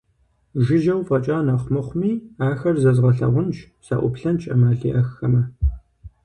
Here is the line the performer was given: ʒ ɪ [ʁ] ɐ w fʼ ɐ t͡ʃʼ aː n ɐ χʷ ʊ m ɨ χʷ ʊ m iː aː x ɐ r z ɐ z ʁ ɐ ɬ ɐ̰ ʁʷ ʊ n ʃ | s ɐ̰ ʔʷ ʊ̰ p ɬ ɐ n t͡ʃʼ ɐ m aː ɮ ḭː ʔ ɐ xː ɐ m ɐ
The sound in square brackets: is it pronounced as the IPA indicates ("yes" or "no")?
no